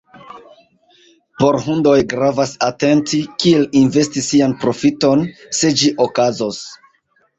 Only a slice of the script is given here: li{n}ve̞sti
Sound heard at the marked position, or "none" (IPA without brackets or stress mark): n